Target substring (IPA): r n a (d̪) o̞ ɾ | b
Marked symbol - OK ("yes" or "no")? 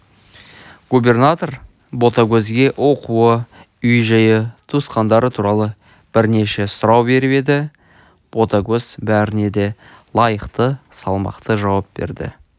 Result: no